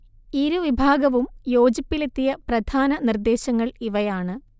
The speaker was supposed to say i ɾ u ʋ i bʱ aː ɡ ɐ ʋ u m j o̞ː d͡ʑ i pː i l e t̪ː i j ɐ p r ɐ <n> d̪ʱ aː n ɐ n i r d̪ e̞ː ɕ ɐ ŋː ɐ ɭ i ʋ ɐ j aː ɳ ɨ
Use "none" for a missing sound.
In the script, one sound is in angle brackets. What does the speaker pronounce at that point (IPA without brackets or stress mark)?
none